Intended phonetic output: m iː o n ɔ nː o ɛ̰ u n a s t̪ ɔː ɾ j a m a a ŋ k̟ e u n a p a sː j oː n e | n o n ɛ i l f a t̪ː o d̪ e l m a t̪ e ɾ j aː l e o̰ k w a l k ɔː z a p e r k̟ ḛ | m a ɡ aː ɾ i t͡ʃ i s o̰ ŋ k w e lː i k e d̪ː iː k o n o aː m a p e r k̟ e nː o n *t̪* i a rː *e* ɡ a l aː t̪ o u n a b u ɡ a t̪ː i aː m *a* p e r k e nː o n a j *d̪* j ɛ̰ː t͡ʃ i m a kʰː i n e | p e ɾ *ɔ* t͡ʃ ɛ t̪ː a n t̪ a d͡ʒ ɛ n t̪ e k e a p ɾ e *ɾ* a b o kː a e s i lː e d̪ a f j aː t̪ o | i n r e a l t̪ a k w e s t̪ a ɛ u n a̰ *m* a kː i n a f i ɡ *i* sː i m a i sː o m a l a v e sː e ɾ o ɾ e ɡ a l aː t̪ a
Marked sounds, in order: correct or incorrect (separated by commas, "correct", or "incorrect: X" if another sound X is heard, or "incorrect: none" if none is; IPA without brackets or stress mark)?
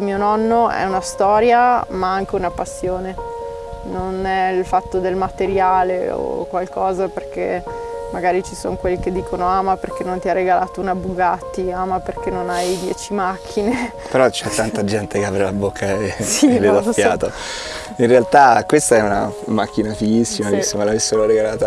correct, correct, correct, correct, correct, incorrect: l, correct, correct